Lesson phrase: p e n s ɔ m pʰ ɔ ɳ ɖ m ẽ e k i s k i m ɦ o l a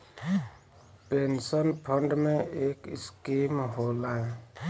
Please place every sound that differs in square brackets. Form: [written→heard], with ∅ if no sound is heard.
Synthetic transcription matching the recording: p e n s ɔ [m→n] pʰ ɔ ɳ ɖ m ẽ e k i s k i m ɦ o l a